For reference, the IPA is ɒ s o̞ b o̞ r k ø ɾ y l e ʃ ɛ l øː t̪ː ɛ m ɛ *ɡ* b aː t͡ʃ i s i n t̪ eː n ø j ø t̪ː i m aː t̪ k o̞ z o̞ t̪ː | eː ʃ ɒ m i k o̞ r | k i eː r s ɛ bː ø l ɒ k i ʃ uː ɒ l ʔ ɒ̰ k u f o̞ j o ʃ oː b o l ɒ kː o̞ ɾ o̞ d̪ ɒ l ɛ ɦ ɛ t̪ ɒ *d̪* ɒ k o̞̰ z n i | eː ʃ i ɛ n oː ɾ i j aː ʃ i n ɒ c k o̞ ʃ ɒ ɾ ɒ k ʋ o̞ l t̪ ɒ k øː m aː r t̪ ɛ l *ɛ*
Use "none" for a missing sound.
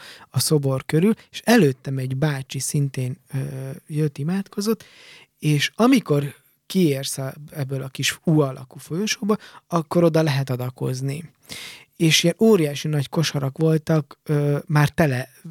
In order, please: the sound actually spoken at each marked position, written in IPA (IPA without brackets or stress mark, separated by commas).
ɟ, d̪, ɛ